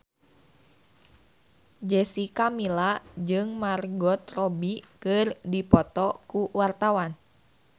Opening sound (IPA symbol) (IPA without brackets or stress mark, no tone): d͡ʒ